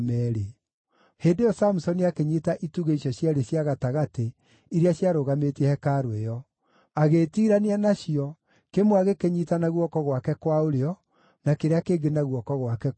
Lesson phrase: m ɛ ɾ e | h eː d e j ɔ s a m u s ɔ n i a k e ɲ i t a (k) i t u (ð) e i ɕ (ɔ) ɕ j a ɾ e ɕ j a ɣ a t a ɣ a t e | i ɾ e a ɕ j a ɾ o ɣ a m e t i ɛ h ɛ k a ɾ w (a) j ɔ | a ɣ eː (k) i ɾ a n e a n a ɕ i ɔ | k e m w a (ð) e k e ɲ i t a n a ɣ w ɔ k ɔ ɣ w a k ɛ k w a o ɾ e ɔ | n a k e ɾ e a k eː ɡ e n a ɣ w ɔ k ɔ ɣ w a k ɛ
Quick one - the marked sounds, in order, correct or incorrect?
incorrect: ʔ, incorrect: ɣ, correct, incorrect: e, incorrect: t, incorrect: ɣ

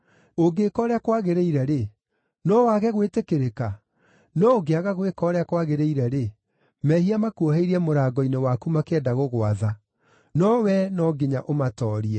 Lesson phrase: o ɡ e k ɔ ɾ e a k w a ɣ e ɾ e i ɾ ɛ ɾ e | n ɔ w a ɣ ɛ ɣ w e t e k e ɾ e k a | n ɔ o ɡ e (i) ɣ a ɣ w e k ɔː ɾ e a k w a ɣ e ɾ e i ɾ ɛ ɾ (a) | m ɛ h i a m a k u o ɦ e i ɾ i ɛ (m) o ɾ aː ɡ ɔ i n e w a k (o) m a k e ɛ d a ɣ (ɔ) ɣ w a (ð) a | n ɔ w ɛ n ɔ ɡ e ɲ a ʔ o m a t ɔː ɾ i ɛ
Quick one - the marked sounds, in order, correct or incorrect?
incorrect: a, incorrect: e, correct, incorrect: u, incorrect: o, correct

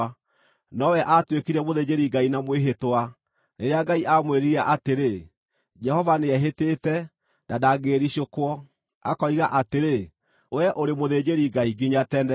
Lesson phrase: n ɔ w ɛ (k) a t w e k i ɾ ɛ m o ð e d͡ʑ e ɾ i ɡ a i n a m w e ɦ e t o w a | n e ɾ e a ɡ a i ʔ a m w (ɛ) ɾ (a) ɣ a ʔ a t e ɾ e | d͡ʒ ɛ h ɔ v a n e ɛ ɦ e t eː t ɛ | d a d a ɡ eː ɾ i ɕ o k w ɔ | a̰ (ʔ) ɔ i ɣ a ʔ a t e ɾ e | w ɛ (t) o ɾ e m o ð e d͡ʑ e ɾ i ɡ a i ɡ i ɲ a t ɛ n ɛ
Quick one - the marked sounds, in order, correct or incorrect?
incorrect: ʔ, incorrect: e, incorrect: i, incorrect: k, incorrect: ʔ

